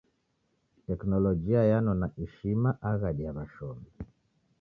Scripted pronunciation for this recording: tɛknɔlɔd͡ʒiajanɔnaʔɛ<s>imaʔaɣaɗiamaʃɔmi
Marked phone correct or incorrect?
incorrect